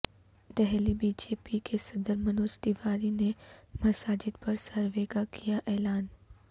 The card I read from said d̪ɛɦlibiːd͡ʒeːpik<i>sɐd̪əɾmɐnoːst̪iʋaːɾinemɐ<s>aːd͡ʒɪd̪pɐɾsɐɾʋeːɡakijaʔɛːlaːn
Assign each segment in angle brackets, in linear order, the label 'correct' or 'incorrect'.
incorrect, correct

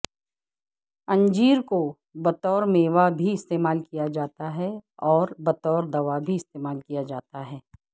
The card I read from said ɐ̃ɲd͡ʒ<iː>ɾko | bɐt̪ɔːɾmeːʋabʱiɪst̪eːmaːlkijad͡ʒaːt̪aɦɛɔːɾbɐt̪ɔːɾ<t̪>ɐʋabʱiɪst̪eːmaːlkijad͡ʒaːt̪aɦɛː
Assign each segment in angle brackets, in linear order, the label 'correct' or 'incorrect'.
correct, incorrect

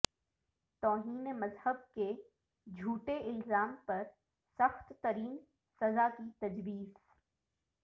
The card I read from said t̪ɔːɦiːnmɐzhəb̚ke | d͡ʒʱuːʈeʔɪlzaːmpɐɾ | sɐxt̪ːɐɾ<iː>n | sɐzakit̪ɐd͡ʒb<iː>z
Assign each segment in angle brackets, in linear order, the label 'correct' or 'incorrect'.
correct, correct

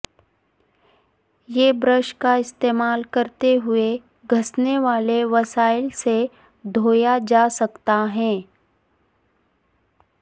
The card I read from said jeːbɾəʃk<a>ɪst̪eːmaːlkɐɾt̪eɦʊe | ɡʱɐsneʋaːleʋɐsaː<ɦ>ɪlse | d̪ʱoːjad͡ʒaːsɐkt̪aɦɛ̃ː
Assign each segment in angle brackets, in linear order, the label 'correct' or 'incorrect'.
correct, incorrect

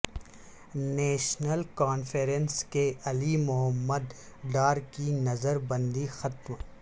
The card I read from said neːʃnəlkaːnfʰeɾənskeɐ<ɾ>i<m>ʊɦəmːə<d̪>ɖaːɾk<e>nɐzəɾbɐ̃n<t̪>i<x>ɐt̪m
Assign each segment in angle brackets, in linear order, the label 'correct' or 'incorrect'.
incorrect, correct, correct, incorrect, incorrect, correct

